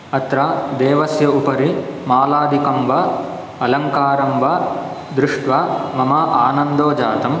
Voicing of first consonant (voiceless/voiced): voiceless